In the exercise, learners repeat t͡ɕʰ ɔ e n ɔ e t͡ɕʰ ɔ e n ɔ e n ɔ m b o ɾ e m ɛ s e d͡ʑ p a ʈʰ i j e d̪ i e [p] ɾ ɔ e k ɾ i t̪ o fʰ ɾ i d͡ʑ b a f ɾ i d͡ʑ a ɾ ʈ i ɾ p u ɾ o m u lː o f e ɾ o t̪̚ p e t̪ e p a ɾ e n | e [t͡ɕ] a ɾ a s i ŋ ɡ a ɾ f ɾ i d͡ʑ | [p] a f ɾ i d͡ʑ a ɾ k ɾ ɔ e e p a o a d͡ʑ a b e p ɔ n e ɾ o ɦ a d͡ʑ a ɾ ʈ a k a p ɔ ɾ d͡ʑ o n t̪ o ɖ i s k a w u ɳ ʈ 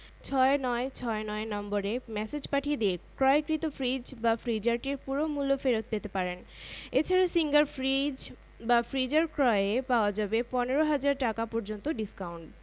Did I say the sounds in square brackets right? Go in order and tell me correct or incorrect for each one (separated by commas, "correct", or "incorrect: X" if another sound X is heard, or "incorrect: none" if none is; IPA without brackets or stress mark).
incorrect: k, incorrect: t͡ɕʰ, incorrect: b